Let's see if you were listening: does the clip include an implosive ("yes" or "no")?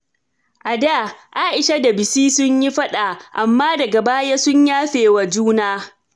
yes